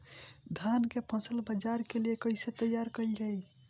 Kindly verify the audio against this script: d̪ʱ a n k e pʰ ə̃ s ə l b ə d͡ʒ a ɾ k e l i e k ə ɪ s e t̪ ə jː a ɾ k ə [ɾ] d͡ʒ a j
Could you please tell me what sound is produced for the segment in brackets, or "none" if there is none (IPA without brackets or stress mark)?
l